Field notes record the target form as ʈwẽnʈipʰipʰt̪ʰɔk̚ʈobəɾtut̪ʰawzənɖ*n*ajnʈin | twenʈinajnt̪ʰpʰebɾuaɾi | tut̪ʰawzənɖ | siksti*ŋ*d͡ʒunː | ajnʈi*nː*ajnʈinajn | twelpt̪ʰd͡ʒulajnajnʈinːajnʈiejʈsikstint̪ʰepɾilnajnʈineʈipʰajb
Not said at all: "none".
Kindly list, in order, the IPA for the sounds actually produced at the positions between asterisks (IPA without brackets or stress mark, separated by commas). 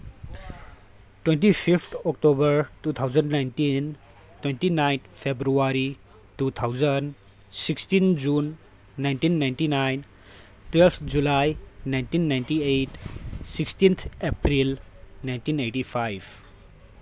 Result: n, n, nː